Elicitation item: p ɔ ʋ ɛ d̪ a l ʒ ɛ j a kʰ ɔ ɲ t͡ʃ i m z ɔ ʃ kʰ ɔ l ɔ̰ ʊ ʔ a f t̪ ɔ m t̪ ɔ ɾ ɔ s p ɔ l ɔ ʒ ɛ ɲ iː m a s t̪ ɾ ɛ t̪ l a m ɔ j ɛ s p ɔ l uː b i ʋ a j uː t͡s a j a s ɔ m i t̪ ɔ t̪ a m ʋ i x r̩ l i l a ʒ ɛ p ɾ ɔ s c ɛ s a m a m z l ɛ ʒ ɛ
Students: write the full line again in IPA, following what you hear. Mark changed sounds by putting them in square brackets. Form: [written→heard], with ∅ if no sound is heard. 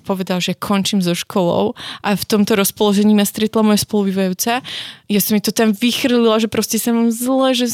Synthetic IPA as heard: p ɔ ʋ ɛ d̪ a l ʒ ɛ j a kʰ ɔ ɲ t͡ʃ i m z ɔ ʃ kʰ ɔ l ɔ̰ ʊ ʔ a f t̪ ɔ m t̪ ɔ ɾ ɔ s p ɔ l ɔ ʒ ɛ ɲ iː m a s t̪ ɾ ɛ t̪ l a m ɔ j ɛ s p ɔ l [uː→u] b i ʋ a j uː t͡s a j a s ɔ m i t̪ ɔ t̪ a m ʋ i x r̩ l i l a ʒ ɛ p ɾ ɔ s c ɛ s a m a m z l ɛ ʒ ɛ